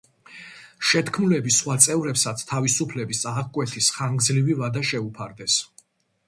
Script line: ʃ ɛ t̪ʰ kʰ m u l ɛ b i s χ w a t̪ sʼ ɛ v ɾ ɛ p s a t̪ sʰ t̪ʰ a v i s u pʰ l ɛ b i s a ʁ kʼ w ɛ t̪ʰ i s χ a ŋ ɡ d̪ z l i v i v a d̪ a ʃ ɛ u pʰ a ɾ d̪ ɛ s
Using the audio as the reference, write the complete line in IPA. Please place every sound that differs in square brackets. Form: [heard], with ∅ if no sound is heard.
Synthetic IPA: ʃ ɛ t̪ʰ kʰ m u l ɛ b i s χ w a t̪ sʼ ɛ v ɾ ɛ p s a t̪ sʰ t̪ʰ a v i s u pʰ l ɛ b i s a ʁ kʼ w ɛ t̪ʰ i s χ a ŋ ɡ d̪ z l i v i v a d̪ a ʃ ɛ u pʰ a ɾ d̪ ɛ s